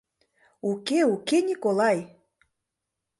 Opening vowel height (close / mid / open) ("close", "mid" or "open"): close